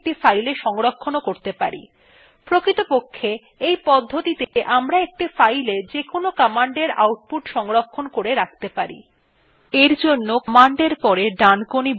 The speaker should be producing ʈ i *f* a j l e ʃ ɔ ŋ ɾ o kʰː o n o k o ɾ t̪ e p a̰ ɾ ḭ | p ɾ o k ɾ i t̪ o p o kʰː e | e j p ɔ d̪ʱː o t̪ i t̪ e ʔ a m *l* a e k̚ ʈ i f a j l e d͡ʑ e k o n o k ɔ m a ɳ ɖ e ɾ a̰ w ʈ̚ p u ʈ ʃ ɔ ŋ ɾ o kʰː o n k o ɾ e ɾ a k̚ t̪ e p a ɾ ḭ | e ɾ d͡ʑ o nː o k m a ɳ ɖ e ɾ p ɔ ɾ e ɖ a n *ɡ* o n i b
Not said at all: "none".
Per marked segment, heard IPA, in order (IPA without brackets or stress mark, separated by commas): f, ɾ, k